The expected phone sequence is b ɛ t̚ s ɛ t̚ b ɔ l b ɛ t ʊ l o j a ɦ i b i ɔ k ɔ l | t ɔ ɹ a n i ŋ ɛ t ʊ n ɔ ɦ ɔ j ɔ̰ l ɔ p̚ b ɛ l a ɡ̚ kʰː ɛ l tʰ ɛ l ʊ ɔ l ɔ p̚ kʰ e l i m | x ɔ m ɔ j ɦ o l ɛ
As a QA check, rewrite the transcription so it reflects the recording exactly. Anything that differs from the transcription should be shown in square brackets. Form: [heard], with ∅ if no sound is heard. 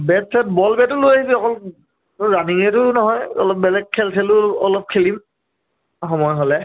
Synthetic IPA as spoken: b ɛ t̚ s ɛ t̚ b ɔ l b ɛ t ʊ l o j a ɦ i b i ɔ k ɔ l | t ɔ ɹ a n i ŋ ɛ t ʊ n ɔ ɦ ɔ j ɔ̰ l ɔ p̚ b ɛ l [ɛ] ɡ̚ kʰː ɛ l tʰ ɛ l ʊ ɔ l ɔ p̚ kʰ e l i m | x ɔ m ɔ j ɦ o l ɛ